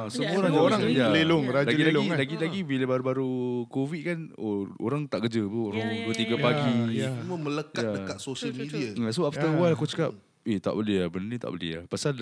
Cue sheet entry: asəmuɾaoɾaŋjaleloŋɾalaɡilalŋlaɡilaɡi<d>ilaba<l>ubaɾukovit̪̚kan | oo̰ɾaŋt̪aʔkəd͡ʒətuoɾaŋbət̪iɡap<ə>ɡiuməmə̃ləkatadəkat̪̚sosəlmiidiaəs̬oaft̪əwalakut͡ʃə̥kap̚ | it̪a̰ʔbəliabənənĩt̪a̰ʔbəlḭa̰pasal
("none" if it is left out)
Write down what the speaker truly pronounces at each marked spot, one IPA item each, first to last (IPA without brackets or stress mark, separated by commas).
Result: b, ɾ, a